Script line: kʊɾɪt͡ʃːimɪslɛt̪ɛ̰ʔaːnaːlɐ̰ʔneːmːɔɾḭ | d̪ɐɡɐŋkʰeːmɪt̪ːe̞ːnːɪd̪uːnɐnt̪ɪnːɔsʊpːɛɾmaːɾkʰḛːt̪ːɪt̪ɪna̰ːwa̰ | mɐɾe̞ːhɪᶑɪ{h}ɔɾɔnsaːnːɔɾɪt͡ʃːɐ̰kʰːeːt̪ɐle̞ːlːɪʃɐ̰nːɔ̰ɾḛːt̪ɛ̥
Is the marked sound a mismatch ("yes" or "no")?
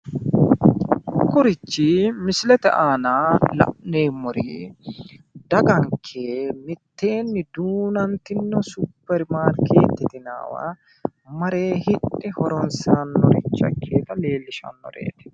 no